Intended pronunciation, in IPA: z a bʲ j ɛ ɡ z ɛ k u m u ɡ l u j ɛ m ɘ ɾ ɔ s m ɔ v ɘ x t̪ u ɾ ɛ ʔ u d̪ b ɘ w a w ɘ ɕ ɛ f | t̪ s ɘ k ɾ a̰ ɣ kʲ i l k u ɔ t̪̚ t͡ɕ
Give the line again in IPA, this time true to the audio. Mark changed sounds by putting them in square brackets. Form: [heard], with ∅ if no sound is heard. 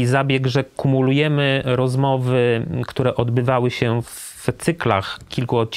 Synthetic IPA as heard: z a bʲ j ɛ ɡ [ʐ] ɛ k u m u [∅] l u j ɛ m ɘ ɾ ɔ [z] m ɔ v ɘ [k] t̪ u ɾ ɛ ʔ [ɔ] d̪ b ɘ [v] a w ɘ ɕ ɛ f | t̪ s ɘ k [l] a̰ [x] kʲ i l k u ɔ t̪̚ t͡ɕ